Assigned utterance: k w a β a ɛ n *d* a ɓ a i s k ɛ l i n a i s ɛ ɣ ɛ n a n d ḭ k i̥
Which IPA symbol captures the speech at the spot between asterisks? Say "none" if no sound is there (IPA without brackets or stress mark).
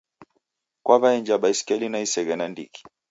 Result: d͡ʒ